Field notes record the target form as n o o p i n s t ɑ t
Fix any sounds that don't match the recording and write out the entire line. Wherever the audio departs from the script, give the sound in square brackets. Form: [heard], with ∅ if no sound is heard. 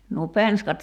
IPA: n [u] o p [e] n s [k] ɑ t